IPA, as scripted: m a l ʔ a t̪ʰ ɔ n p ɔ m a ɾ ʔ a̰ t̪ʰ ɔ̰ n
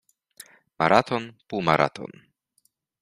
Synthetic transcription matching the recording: m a ɾ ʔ a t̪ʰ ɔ n p u m a ɾ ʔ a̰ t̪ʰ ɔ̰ n

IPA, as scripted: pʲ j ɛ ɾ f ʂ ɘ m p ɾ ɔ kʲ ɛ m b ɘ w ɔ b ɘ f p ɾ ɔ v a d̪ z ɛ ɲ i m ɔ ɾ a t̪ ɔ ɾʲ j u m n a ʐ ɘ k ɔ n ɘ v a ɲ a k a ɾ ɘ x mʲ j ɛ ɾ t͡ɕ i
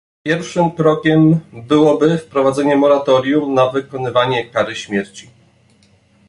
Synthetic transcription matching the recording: pʲ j ɛ ɾ f ʂ ɘ m k ɾ ɔ kʲ ɛ m b ɘ w ɔ b ɘ f p ɾ ɔ v a d̪ z ɛ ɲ ɛ m ɔ ɾ a t̪ ɔ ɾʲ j u m n a v ɘ k ɔ n ɘ v a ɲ ɛ k a ɾ ɘ ɕ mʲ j ɛ ɾ t͡ɕ i

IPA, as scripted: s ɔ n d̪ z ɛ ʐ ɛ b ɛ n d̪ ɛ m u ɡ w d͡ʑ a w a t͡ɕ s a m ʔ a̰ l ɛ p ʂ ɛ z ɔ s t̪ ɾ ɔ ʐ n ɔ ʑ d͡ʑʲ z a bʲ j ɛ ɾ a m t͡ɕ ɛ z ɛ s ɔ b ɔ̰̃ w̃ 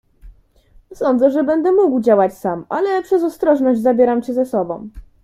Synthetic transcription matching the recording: s ɔ n d̪ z ɛ ʐ ɛ b ɛ n d̪ ɛ m u ɡ w d͡ʑ a w a t͡ɕ s a m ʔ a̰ l ɛ p ʂ ɛ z ɔ s t̪ ɾ ɔ ʐ n ɔ ʑ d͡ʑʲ z a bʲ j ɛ ɾ a m t͡ɕ ɛ z ɛ s ɔ b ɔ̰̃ w̃

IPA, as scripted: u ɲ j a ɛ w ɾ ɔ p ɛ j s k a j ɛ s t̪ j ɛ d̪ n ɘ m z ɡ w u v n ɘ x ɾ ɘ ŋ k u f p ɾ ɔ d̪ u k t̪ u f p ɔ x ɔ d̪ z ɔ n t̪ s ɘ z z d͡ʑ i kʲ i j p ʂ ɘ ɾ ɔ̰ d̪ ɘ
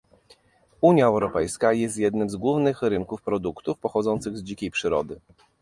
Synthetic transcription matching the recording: u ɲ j a ɛ w ɾ ɔ p ɛ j s k a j ɛ s t̪ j ɛ d̪ n ɘ m z ɡ w u v n ɘ x ɾ ɘ ŋ k u f p ɾ ɔ d̪ u k t̪ u f p ɔ x ɔ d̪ z ɔ n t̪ s ɘ ɣ z d͡ʑ i kʲ e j p ʂ ɘ ɾ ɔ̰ d̪ ɘ

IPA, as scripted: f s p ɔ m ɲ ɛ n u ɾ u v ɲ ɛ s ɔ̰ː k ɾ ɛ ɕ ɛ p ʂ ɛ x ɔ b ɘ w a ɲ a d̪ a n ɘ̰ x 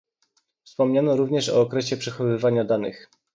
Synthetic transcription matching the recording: f s p ɔ m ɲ a n ɔ ɾ u v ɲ ɛ ʂ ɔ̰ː k ɾ ɛ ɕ ɛ p ʂ ɛ x ɔ v ɘ v a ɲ a d̪ a n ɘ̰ x

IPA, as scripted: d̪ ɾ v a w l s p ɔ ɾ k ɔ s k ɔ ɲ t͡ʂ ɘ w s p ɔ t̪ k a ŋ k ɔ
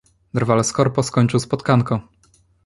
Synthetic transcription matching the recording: d̪ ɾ v a l s k ɔ ɾ p ɔ s k ɔ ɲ t͡ʂ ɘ w s p ɔ t̪ k a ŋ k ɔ

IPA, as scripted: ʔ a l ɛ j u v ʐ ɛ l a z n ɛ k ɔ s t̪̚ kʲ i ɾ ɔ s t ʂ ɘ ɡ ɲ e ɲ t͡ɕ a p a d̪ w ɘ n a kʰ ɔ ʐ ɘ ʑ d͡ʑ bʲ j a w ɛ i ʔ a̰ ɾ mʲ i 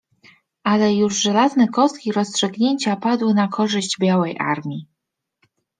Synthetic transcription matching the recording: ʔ a l ɛ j u ʐ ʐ ɛ l a z n ɛ k ɔ s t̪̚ kʲ i ɾ ɔ s t ʂ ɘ ɡ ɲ e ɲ t͡ɕ a p a d̪ w ɘ n a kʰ ɔ ʐ ɘ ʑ d͡ʑ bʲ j a w ɛ j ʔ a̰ ɾ mʲ i

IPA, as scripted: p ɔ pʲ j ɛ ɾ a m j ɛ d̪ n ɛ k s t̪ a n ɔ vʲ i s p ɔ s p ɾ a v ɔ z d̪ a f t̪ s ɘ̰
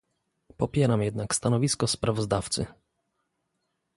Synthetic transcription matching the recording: p ɔ pʲ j ɛ ɾ a m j ɛ d̪ n a k s t̪ a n ɔ vʲ i s k ɔ s p ɾ a v ɔ z d̪ a f t̪ s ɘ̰

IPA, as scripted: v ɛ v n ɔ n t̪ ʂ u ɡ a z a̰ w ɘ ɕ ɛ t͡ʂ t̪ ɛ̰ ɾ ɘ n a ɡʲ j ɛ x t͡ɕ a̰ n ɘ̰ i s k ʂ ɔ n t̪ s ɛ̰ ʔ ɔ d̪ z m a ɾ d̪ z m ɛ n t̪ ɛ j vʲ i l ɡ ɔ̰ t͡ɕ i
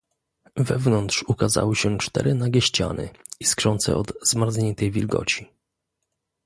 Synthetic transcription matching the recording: v ɛ v n ɔ n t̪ ʂ u k a z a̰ w ɘ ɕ ɛ t͡ʂ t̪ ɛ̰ ɾ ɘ n a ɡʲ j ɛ ɕ t͡ɕ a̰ n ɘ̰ i s k ʂ ɔ n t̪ s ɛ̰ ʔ ɔ d̪ z m a ɾ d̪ z ɲ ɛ n t̪ ɛ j vʲ i l ɡ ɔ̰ t͡ɕ i

